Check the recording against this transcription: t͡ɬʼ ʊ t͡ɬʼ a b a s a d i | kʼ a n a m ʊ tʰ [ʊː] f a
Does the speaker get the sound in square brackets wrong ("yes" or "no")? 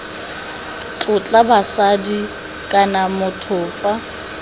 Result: no